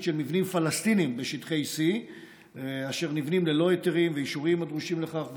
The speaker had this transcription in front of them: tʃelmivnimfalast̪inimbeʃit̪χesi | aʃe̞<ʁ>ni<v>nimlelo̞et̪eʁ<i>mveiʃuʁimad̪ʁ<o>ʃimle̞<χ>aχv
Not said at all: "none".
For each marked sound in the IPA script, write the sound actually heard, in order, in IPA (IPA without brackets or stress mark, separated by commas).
ʁ, v, i, u, χ